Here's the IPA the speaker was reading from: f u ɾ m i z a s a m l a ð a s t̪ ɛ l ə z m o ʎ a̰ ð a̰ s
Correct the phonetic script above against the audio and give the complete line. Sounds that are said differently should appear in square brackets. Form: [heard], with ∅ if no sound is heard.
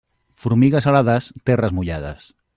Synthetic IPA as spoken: f u ɾ m i [ɣ] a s a [∅] l a ð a s t̪ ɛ [r] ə z m [u] ʎ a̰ ð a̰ s